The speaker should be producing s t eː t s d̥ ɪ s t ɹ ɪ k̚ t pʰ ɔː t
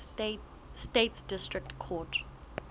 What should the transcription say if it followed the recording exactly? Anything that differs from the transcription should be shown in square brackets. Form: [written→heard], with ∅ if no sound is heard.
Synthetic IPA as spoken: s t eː t s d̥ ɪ s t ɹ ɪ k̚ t [pʰ→kʰ] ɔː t